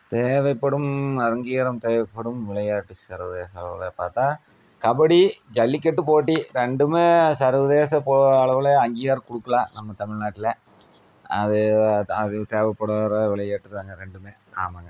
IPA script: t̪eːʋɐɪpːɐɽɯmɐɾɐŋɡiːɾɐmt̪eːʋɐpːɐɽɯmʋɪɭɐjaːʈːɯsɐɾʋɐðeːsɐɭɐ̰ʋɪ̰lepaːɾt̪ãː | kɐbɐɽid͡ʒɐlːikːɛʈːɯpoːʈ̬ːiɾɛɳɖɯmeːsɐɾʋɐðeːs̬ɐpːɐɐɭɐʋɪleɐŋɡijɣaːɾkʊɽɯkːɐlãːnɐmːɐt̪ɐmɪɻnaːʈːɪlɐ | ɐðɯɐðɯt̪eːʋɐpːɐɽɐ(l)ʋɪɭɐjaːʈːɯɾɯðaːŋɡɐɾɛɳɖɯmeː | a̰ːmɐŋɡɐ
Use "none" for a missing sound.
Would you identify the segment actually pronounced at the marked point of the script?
ɾ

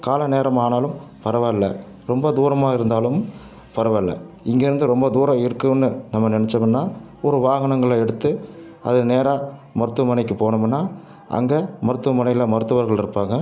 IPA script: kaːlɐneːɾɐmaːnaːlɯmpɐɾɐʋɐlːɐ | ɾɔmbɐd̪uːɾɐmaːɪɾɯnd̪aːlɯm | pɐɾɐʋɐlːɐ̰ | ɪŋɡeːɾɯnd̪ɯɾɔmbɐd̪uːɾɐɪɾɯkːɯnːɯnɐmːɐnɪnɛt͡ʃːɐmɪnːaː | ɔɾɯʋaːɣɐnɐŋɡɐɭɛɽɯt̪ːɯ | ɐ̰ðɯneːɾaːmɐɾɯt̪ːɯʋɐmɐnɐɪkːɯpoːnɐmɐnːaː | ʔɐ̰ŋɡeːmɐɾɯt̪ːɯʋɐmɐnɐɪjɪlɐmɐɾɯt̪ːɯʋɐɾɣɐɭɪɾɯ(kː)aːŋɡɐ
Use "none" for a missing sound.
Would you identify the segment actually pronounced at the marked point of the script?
pː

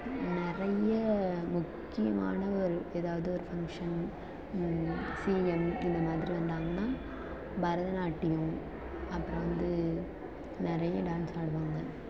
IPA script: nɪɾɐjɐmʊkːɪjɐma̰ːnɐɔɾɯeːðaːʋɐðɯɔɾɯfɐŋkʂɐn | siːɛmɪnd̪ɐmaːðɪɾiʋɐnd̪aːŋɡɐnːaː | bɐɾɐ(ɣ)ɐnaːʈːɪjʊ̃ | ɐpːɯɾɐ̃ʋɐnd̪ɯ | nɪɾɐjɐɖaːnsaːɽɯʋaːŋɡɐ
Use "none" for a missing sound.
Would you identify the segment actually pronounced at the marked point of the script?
ð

